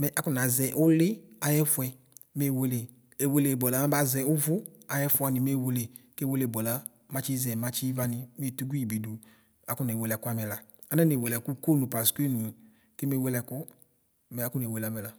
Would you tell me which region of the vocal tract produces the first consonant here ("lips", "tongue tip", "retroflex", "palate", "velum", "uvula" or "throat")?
lips